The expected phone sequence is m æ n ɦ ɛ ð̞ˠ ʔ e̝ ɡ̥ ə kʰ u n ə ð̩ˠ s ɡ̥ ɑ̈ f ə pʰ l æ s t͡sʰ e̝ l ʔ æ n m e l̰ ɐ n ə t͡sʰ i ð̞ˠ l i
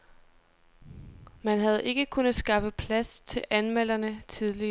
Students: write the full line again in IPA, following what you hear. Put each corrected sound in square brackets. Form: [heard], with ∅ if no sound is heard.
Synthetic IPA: m æ n ɦ [æ] ð̞ˠ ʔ e̝ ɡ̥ ə kʰ u n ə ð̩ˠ s ɡ̥ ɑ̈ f ə pʰ l æ s t͡sʰ e̝ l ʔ æ n m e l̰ ɐ n ə t͡sʰ i ð̞ˠ l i